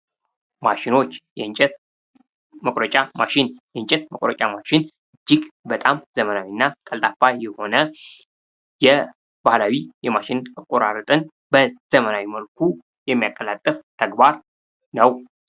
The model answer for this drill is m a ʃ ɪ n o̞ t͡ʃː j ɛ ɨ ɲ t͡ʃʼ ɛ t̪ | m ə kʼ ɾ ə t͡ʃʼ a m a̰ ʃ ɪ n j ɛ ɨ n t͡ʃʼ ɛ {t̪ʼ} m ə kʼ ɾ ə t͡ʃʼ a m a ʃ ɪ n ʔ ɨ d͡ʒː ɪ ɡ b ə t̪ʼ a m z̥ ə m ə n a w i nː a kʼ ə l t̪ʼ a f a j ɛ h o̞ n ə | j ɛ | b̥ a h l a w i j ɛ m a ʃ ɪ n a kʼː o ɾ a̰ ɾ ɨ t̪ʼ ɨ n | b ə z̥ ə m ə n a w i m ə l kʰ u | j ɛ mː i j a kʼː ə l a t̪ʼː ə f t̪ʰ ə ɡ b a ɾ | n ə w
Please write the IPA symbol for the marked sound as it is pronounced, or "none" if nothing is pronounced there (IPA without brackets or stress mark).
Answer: t̪